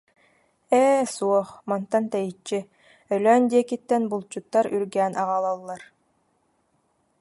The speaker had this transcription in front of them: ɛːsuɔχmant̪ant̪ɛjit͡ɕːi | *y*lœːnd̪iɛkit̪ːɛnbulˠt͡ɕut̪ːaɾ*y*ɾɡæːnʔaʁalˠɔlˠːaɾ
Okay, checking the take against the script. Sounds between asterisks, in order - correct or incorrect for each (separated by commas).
incorrect, correct